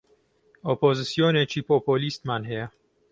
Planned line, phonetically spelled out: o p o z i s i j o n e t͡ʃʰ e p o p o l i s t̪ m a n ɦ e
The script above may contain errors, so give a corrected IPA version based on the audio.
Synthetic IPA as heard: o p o z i s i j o n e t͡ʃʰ i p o p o l i s t̪ m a n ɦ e